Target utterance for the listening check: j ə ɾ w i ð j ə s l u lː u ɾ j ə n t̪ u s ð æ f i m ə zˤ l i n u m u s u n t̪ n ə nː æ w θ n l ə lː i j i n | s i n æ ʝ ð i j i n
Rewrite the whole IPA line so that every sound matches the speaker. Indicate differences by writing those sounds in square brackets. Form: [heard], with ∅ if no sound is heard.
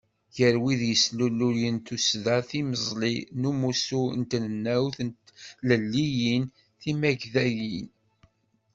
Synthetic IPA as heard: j ə ɾ w i ð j ə s l u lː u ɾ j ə n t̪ u s ð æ [θ] i m ə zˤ l i n u m u s u n t̪ n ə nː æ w θ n l ə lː i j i n | [θ] i [m] æ ʝ ð [æ] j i n